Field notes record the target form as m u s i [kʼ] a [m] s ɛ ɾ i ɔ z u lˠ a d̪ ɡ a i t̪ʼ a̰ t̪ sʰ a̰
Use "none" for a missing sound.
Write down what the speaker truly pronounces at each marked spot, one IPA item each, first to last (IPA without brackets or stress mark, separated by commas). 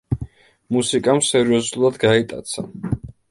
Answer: kʼ, m